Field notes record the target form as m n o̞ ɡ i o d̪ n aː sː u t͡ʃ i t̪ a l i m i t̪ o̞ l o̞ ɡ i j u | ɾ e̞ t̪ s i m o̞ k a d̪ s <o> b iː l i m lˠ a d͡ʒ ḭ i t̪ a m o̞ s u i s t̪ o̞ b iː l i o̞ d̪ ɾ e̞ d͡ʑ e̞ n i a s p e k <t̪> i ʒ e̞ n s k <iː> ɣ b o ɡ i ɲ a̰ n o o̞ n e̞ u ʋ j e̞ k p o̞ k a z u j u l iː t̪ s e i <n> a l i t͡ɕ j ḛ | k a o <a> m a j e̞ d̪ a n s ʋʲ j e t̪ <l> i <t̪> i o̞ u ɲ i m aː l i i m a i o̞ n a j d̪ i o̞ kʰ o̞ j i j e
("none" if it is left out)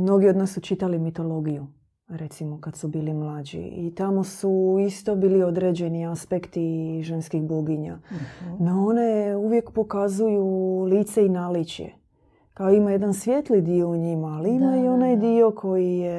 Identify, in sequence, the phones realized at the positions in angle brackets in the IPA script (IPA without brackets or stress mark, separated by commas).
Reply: u, t̪, i, n, i, l, d̪